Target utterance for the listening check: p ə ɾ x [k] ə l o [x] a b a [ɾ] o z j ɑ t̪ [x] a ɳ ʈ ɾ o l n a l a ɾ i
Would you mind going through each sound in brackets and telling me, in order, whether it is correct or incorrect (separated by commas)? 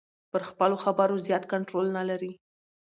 incorrect, correct, correct, incorrect